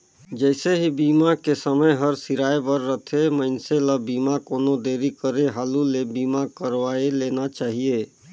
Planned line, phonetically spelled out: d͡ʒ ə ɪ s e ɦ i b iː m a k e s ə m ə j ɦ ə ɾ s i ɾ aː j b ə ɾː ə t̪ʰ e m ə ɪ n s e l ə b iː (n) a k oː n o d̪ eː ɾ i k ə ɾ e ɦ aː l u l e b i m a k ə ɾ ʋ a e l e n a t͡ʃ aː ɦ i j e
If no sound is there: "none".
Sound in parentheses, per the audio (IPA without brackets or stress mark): m